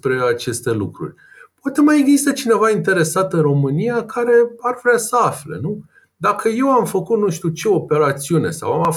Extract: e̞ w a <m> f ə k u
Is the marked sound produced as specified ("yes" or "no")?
yes